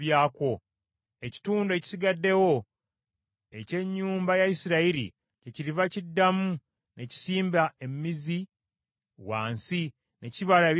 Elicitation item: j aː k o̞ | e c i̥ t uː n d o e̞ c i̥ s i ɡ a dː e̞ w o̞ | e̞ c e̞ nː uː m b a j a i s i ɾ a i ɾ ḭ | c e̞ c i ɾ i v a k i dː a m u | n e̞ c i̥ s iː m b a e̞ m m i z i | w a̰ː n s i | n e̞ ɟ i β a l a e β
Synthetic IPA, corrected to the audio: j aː k o̞ | e c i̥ t uː n d o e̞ c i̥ s i ɡ a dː e̞ w o̞ | e̞ c e̞ ɲː uː m b a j a i s i ɾ a i ɾ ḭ | c e̞ c i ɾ i v a c i dː a m u | n e̞ c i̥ s iː m b a e̞ m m i z i | w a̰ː n s i | n e̞ c i β a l a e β